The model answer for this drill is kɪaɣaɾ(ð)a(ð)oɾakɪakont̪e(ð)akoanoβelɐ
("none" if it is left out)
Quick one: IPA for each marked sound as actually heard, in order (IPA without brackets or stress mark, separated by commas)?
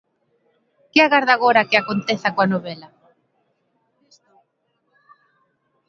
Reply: ð, ɣ, θ